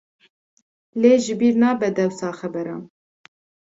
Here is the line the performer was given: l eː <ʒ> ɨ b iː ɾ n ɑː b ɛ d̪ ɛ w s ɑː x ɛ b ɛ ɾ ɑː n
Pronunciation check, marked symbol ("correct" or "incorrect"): correct